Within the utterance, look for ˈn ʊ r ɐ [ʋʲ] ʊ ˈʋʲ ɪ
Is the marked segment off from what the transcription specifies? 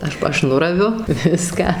no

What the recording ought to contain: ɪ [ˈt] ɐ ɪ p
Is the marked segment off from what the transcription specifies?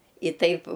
no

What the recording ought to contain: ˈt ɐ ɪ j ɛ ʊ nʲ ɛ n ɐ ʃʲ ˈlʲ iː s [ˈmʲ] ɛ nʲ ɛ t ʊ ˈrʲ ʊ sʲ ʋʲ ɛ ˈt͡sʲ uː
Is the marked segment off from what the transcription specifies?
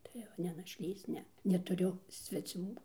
yes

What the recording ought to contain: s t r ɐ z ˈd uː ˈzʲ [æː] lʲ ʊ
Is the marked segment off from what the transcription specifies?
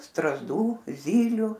yes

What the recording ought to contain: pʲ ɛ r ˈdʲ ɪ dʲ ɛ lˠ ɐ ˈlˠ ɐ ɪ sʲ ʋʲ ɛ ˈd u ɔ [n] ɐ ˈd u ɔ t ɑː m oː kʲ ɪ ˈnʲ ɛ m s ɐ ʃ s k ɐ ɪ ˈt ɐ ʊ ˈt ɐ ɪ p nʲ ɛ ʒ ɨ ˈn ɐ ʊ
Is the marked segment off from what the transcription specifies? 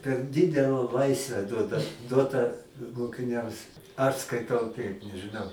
yes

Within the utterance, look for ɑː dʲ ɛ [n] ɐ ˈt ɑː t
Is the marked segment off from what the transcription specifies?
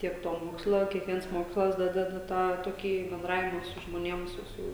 yes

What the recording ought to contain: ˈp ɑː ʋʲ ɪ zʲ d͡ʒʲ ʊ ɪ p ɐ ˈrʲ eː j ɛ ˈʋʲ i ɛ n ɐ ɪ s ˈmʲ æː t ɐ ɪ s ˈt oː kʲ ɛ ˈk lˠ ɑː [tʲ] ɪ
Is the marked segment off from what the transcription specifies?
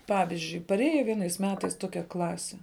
yes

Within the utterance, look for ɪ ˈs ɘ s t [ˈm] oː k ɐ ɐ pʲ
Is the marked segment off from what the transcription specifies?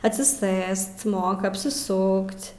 no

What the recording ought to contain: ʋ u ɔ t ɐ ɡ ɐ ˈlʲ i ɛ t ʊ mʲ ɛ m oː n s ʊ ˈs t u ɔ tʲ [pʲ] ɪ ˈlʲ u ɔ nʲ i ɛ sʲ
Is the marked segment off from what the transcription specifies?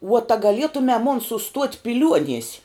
no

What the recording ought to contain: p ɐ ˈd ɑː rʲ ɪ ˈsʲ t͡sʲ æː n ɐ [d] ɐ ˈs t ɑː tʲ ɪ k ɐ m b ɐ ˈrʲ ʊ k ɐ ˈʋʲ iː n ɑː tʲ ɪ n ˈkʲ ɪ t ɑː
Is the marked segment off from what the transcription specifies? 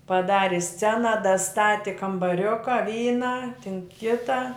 no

